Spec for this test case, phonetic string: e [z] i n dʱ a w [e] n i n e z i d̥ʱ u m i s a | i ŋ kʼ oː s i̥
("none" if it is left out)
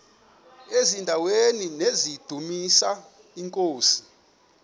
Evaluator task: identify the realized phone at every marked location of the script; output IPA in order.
z, e

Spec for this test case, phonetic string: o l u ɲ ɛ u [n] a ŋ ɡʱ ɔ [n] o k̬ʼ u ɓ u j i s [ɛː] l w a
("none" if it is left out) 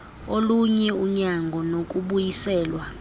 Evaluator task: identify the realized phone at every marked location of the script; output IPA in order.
ɲ, n, ɛː

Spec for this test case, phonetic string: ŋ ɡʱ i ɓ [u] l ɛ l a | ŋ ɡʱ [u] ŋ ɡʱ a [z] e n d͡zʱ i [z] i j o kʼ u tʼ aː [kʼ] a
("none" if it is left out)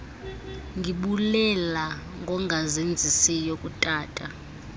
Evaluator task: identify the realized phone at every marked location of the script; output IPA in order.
u, ɔ, z, s, tʼ

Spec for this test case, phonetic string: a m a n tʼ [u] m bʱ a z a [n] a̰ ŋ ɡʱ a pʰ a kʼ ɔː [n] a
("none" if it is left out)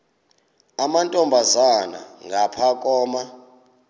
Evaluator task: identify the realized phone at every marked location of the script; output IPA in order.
ɔ, n, m

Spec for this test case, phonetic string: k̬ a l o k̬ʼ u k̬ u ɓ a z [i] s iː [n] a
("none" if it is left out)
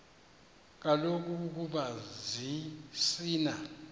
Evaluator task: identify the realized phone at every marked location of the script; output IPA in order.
i, n

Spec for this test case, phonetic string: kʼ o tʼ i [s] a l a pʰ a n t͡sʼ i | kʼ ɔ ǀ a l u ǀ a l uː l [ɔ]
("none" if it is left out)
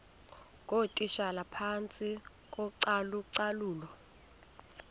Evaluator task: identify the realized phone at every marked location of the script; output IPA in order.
ʃ, ɔ

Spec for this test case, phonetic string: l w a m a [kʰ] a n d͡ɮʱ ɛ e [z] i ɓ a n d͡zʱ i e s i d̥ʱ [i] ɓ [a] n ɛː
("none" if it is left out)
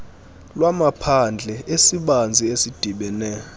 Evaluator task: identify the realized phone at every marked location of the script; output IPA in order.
pʰ, s, i, ɛ

